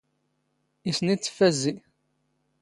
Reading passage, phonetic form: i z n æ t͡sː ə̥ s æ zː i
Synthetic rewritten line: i s n i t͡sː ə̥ f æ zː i